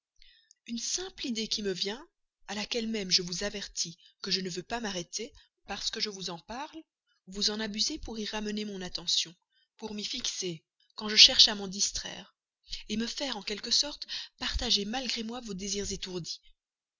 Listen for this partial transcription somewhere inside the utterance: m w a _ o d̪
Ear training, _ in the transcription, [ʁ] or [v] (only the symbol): v